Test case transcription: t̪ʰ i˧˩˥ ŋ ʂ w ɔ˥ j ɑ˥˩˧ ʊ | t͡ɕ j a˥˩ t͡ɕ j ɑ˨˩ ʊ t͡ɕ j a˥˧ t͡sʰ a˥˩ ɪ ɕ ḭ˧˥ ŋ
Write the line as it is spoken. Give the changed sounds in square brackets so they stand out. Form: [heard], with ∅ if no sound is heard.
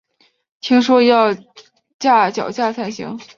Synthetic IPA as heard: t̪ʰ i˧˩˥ ŋ ʂ w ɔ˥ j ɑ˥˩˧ ʊ | t͡ɕ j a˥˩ t͡ɕ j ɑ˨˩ ʊ t͡ɕ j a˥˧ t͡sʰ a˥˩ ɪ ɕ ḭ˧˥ ŋ